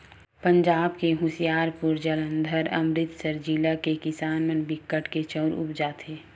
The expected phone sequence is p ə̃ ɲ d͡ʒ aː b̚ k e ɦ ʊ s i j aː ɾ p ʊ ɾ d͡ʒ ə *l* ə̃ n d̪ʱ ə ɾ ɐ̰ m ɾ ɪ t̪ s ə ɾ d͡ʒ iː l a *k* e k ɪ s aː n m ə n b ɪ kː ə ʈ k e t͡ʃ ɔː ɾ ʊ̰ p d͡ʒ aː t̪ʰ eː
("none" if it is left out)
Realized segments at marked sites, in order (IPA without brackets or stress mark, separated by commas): l, k